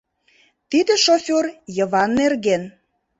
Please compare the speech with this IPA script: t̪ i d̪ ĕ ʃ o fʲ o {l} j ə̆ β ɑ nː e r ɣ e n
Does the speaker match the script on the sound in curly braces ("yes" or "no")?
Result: no